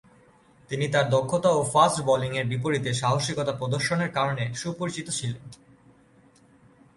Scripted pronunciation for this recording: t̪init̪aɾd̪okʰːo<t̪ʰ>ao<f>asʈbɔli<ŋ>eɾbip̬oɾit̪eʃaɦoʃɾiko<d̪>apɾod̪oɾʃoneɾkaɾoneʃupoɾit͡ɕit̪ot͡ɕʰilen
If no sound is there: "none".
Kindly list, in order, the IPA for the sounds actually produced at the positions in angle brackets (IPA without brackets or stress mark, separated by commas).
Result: t̪, f, ŋ, t̪